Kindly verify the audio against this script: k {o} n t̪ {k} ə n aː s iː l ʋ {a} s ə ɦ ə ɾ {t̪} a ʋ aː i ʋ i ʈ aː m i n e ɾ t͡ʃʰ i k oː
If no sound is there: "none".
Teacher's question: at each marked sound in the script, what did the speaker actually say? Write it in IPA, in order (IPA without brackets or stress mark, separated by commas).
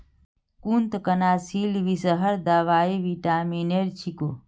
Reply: u, k, i, d̪